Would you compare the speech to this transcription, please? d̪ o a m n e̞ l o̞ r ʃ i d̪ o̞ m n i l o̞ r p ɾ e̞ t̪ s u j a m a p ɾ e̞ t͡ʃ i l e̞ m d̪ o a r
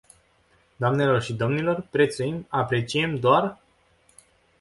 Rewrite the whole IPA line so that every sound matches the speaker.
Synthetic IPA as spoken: d̪ o a m n e̞ l o̞ r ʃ i d̪ o̞ m n i l o̞ r p ɾ e̞ t̪ s u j i m a p ɾ e̞ t͡ʃ i e̞ m d̪ o a r